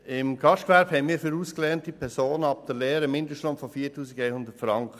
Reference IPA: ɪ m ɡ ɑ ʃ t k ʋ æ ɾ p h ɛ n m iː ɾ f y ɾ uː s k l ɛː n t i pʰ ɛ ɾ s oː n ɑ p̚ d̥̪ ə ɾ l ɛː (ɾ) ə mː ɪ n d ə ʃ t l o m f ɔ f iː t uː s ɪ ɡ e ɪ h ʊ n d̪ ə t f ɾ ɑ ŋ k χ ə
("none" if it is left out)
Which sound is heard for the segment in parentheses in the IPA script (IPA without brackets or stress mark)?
ɾ